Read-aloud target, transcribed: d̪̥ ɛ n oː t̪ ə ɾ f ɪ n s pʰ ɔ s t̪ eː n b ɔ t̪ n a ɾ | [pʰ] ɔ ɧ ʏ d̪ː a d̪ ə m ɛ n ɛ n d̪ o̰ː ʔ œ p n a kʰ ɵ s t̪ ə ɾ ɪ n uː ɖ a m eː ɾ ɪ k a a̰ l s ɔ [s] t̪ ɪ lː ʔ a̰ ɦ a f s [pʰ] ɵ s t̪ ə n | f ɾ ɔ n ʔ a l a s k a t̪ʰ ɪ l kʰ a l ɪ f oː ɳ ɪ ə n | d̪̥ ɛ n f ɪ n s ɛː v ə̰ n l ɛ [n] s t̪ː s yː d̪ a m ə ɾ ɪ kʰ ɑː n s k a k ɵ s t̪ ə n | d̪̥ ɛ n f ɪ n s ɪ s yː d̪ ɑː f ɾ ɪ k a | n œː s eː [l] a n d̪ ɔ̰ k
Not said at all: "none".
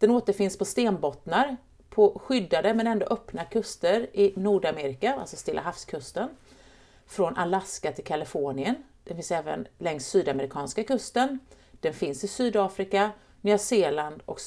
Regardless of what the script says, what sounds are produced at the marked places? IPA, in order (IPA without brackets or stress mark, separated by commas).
pʰ, s, kʰ, ŋ, l